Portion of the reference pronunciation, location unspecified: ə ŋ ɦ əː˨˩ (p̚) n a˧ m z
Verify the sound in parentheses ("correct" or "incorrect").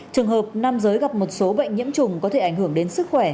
correct